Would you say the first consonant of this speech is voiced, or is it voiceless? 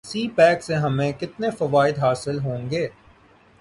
voiceless